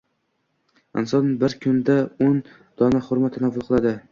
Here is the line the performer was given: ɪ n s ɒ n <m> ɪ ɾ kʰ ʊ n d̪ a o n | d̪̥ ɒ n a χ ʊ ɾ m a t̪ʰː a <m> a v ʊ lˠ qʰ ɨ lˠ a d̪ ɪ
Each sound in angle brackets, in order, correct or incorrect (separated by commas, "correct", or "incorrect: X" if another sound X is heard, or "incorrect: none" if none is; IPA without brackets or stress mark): incorrect: b, incorrect: n